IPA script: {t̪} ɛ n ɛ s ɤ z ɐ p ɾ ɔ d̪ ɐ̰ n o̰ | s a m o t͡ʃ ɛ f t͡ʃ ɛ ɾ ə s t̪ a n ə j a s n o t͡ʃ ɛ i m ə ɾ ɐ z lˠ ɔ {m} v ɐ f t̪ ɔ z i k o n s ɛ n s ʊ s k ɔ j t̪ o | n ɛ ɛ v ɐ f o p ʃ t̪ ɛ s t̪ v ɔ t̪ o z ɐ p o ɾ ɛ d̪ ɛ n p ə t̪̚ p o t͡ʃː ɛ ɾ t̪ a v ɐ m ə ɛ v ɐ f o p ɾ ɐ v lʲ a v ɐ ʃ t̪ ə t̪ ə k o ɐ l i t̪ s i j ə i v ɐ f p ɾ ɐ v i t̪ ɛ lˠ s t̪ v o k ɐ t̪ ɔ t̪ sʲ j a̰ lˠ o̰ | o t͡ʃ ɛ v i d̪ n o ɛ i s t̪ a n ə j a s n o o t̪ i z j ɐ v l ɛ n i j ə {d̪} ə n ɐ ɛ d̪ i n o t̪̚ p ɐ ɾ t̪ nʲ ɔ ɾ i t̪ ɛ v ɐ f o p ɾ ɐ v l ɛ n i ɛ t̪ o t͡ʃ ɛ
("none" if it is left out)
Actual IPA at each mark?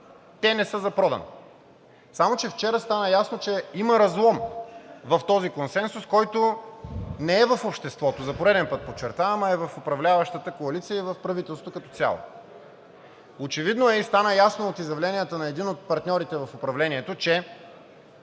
t̪, m, t̪

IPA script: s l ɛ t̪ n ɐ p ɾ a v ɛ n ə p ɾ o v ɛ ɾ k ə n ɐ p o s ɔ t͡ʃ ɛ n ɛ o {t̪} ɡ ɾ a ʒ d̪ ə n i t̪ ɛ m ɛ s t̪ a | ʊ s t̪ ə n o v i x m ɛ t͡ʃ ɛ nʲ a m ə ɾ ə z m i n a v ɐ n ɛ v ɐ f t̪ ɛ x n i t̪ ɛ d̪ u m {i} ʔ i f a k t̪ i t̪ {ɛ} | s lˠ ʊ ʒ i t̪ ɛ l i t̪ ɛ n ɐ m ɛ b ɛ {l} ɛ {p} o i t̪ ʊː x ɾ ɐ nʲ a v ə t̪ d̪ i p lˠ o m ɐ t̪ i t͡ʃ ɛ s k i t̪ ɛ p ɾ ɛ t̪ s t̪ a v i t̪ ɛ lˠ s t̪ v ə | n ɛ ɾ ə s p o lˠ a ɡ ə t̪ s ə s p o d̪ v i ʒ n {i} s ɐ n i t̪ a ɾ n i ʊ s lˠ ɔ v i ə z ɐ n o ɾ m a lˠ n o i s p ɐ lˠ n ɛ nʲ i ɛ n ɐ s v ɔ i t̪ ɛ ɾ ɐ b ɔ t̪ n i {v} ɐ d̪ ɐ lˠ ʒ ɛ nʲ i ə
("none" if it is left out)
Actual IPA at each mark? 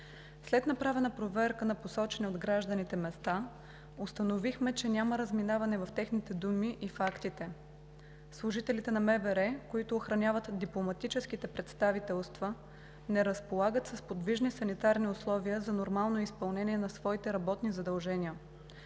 d̪, i, ɛ, ɾ, k, i, z

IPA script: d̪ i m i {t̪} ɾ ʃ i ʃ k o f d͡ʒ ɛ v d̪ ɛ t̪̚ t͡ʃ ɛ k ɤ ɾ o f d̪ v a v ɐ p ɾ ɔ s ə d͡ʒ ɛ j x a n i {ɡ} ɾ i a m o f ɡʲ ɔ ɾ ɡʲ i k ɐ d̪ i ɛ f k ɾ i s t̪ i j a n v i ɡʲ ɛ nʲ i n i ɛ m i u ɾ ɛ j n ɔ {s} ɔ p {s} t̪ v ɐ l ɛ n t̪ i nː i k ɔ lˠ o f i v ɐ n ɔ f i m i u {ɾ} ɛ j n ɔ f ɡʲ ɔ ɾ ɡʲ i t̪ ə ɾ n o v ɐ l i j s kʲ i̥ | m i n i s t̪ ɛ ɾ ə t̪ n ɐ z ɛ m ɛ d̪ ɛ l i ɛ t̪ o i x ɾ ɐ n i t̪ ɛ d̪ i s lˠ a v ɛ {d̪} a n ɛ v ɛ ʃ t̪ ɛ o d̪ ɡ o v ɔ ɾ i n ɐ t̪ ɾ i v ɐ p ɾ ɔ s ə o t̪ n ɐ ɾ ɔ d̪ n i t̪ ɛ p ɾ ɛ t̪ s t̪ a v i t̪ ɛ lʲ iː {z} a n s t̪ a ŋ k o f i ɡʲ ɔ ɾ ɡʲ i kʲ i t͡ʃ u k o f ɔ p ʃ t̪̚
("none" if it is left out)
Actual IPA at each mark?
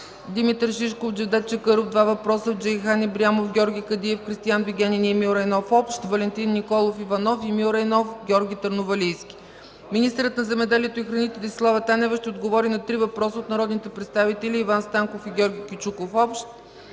t̪, b, f, ʃ, ɾ, t̪, v

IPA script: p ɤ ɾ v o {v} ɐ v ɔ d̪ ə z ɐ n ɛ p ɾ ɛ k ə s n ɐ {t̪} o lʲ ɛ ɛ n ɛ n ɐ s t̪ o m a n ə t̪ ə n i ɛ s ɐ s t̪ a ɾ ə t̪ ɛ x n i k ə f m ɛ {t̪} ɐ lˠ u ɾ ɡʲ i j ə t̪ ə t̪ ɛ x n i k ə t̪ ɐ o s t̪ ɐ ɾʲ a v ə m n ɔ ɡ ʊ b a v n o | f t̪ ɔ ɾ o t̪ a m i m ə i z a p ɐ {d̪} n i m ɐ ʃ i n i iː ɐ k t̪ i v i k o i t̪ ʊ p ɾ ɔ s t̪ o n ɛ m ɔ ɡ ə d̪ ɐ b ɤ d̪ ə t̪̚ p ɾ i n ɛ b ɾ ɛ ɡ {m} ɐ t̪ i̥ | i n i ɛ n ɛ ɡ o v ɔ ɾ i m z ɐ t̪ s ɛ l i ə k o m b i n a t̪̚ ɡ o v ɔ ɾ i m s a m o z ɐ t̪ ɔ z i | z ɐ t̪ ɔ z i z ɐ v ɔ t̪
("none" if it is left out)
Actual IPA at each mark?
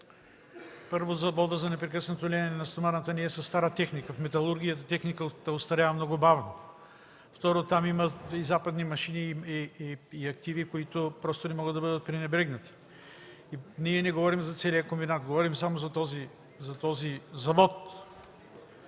z, t̪, t̪, d̪, n

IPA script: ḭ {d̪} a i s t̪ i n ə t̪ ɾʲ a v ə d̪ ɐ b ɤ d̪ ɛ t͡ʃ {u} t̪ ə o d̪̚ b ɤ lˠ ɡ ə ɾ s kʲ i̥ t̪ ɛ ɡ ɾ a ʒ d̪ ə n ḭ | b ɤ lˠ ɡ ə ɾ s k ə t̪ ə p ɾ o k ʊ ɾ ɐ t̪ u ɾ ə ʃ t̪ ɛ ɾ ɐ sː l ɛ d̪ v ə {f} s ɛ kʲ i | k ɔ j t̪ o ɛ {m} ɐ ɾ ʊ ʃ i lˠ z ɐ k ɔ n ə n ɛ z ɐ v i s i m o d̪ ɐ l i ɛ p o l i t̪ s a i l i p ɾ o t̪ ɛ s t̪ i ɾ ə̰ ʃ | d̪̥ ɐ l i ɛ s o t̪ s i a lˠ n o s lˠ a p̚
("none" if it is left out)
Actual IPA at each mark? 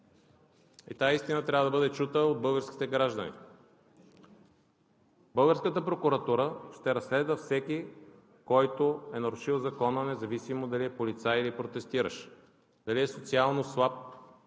t̪, u, f, n

